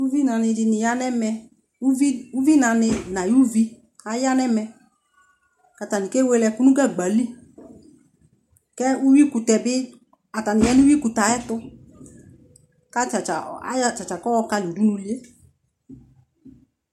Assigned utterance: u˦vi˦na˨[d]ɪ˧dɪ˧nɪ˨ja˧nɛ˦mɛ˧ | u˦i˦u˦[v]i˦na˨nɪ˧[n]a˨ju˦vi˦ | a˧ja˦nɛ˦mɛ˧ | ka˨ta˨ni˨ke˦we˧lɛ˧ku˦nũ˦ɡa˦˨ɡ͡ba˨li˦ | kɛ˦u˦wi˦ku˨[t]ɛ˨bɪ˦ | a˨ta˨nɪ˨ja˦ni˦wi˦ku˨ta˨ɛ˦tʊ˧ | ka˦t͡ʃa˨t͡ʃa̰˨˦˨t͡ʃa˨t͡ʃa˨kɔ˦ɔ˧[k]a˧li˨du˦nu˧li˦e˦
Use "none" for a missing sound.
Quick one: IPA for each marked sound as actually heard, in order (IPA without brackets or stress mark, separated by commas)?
n, v, n, t, k